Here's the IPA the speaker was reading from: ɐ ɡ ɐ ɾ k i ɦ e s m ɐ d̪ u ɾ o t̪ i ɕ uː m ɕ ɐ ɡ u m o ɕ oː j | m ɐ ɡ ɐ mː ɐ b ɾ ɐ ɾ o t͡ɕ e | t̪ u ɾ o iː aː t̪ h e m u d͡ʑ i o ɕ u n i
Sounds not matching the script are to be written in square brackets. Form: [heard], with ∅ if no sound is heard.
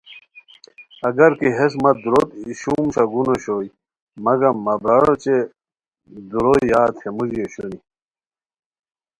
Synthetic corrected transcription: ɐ ɡ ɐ ɾ k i ɦ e s m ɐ d̪ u ɾ o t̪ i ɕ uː m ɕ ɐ ɡ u [n] o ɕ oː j | m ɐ ɡ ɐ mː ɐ b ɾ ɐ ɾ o t͡ɕ e | [d̪] u ɾ o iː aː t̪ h e m u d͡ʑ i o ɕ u n i